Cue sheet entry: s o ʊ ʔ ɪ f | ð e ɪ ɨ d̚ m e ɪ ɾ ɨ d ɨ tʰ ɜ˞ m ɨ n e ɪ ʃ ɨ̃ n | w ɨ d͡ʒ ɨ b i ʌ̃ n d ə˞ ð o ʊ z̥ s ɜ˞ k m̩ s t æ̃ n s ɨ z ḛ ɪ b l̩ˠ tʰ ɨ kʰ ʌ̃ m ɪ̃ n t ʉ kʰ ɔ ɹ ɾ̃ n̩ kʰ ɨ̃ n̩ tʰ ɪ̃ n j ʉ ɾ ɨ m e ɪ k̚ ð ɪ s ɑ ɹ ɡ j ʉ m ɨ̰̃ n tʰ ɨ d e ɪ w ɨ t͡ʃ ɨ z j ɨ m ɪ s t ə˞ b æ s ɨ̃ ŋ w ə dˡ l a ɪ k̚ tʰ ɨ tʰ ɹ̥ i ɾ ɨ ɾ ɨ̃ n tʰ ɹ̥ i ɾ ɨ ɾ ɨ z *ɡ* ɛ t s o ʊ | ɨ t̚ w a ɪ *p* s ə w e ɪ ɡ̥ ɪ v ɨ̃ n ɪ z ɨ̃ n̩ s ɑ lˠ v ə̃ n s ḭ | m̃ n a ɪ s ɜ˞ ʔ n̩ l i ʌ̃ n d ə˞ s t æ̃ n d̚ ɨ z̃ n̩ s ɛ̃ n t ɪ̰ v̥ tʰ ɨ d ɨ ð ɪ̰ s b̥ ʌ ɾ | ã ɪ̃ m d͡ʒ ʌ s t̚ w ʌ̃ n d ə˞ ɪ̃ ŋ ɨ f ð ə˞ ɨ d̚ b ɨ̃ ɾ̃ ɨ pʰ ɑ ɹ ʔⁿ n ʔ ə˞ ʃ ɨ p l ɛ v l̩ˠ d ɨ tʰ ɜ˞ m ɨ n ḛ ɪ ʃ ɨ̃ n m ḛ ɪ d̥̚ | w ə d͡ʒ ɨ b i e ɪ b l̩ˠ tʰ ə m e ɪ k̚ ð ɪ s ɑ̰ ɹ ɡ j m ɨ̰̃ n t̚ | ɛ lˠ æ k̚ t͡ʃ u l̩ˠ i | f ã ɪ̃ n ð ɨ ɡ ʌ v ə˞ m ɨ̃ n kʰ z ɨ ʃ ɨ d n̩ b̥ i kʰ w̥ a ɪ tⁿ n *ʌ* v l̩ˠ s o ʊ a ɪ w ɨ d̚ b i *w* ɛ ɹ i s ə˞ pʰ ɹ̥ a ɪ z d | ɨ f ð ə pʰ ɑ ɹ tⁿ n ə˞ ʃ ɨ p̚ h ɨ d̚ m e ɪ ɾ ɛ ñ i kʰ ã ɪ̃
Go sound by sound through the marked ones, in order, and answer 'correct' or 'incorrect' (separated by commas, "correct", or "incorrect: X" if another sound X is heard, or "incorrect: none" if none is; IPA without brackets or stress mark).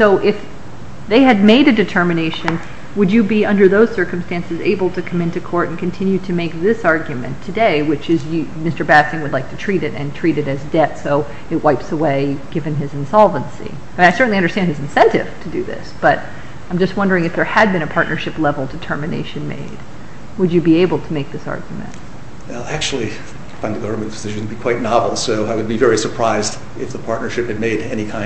incorrect: d, correct, incorrect: ɑ, incorrect: v